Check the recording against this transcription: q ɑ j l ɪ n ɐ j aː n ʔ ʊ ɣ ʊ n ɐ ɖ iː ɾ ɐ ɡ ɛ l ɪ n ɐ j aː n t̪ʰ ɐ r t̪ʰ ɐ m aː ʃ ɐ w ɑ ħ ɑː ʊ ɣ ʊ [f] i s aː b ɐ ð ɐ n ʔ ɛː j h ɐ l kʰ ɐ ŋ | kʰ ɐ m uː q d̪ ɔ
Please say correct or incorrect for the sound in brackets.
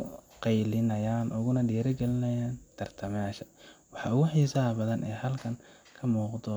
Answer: incorrect